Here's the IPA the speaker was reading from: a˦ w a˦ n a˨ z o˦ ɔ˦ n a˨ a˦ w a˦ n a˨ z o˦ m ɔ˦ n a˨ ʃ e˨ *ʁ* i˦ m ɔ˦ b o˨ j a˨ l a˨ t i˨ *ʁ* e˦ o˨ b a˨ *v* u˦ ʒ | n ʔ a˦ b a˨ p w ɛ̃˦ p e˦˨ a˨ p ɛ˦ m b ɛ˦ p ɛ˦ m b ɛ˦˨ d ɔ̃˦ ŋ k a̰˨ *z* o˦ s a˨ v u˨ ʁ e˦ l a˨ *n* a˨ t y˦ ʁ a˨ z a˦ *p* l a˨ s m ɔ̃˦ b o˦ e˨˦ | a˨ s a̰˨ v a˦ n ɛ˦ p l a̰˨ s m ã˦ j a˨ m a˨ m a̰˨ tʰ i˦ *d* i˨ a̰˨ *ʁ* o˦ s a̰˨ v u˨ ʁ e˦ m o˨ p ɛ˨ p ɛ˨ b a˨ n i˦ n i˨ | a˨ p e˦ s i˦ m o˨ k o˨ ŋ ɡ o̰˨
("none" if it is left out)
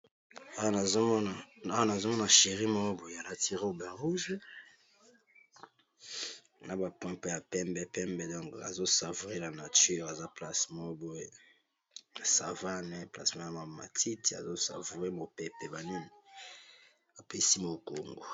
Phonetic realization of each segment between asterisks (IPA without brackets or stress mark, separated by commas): ʁ, ʁ, ʁ, z, n, p, t, z